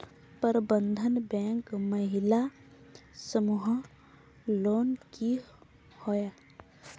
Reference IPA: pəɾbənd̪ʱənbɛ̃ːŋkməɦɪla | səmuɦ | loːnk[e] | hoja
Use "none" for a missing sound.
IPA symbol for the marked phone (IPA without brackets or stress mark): i